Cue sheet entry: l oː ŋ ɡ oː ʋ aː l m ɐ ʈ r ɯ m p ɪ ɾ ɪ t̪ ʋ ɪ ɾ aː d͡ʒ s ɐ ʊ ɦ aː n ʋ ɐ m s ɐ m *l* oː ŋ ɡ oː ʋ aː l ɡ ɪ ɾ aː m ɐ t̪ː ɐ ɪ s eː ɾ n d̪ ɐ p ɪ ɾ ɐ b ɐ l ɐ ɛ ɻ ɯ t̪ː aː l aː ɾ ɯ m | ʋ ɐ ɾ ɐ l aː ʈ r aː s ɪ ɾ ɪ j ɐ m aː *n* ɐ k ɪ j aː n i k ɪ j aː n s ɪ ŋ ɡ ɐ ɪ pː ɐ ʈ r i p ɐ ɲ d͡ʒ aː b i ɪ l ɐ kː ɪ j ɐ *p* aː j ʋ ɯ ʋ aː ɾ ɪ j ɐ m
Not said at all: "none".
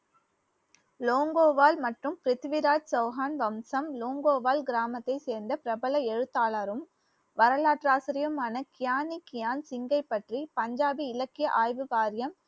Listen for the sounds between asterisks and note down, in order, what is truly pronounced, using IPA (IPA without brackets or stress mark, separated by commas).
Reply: l, n, ʔ